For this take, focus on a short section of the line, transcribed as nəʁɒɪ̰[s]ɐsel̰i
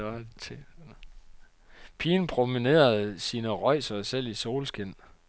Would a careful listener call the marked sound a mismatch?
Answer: no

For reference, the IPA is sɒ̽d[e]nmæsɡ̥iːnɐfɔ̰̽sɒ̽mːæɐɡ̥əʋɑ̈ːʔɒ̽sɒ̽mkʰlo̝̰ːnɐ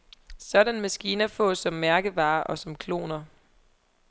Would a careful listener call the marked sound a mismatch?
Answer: yes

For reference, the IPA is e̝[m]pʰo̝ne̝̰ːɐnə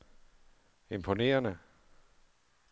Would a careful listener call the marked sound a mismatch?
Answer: no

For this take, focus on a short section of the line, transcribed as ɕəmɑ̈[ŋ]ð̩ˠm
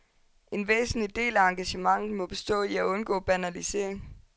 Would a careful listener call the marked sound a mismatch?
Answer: no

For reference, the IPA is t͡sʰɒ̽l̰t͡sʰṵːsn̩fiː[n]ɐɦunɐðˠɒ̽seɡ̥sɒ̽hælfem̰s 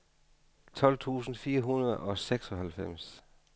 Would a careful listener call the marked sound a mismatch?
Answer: yes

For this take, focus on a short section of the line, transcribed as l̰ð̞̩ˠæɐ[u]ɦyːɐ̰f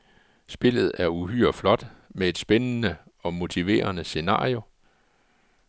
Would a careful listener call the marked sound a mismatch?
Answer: no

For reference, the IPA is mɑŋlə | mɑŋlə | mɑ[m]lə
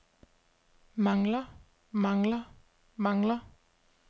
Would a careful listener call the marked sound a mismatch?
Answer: yes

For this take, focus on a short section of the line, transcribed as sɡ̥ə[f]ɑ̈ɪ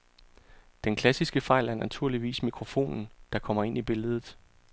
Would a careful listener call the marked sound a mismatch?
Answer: no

